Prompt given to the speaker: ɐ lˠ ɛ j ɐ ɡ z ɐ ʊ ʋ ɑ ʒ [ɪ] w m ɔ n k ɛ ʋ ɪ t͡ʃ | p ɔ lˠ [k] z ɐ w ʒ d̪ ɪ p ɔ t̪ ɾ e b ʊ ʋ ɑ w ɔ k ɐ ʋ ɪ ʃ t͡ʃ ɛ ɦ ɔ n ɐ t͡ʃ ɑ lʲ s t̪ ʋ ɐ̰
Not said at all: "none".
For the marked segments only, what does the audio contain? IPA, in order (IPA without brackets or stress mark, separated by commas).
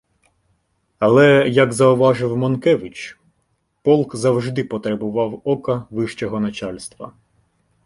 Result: ɪ, k